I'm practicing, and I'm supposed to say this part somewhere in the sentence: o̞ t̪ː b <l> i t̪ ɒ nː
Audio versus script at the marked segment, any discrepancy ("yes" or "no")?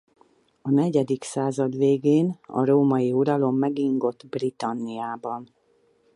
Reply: yes